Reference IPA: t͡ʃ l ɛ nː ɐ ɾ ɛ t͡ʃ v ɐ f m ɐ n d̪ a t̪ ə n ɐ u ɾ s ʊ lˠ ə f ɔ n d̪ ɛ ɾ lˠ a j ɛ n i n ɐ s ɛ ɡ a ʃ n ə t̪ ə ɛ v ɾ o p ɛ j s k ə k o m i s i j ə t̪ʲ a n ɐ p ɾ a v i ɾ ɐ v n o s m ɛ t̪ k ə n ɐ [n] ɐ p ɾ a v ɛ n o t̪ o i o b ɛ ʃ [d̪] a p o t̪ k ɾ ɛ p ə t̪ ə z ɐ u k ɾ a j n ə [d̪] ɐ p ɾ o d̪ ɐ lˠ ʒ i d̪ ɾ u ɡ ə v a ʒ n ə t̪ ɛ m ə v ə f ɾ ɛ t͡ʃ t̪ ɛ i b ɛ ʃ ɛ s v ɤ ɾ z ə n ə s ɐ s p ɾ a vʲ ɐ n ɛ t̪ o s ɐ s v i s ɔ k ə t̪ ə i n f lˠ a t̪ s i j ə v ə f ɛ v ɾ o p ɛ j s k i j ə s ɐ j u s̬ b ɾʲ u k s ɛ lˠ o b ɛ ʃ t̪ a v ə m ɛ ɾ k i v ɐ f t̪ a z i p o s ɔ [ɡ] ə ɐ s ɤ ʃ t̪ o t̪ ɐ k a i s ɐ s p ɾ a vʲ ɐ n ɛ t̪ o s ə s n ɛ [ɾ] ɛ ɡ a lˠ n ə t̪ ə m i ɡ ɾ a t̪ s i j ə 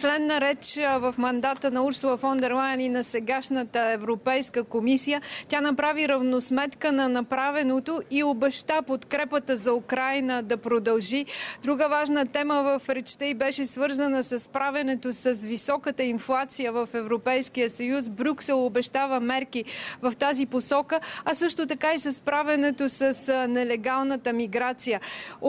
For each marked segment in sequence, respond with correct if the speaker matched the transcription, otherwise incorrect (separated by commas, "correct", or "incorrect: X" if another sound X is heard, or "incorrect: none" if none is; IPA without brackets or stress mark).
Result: correct, incorrect: t̪, correct, incorrect: k, incorrect: l